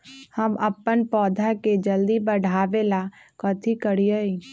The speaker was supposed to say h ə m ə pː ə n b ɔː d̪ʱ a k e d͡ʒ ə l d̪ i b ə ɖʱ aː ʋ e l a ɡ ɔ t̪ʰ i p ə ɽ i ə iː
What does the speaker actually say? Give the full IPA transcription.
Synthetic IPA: h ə m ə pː ə n p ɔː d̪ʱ a k e d͡ʒ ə l d̪ i b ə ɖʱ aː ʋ e l a k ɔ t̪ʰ i k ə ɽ i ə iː